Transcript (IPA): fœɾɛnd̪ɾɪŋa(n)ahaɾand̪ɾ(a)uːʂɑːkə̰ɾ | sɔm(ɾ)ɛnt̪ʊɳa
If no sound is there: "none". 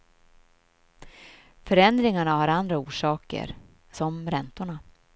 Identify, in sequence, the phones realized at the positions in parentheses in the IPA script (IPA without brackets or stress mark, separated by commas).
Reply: ɳ, a, ɾ